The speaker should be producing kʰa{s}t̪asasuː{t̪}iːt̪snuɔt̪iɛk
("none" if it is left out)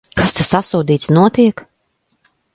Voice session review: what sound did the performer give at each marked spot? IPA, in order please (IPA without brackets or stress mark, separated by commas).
s, d̪